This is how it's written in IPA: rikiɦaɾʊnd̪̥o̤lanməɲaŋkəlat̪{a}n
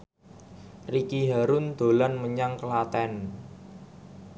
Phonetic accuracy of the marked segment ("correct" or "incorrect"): incorrect